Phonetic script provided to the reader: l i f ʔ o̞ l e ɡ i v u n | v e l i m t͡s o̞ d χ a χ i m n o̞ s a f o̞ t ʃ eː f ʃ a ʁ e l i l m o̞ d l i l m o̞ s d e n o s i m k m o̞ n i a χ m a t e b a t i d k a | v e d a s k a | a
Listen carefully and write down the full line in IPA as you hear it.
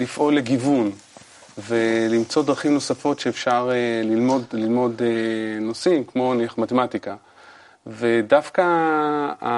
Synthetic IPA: l i f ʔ o̞ l e ɡ i v u n | v e l i m t͡s o̞ d ʁ a χ i m n o̞ s a f o̞ t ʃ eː f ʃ a ʁ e l i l m o̞ d l i l m o̞ d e n o s i m k m o̞ n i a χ m a t e m a t i k a | v e d a f k a | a